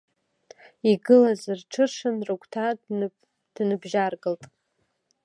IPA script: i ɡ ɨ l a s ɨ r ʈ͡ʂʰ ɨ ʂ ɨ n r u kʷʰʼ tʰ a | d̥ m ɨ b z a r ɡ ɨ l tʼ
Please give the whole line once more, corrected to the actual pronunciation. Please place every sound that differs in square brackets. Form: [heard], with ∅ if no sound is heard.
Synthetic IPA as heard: i ɡ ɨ l a [z] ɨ r ʈ͡ʂʰ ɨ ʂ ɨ n r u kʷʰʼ tʰ a | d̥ [n] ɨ b [ʒ] a r ɡ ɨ l tʼ